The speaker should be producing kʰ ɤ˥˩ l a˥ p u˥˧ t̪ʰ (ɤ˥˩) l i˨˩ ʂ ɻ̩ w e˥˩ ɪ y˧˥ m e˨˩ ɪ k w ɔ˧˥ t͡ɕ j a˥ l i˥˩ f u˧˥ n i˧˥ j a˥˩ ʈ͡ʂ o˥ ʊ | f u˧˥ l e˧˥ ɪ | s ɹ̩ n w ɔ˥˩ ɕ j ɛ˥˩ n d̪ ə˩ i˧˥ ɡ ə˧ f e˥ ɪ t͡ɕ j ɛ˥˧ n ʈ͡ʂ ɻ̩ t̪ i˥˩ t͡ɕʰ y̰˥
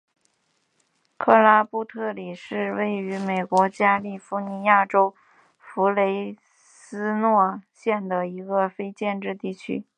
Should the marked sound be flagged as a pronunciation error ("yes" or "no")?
no